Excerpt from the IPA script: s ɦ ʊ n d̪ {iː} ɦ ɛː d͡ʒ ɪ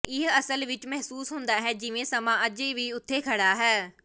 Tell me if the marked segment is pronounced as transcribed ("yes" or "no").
no